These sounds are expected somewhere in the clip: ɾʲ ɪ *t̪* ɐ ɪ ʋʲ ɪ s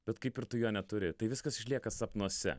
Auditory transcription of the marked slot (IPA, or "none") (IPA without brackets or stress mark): t̪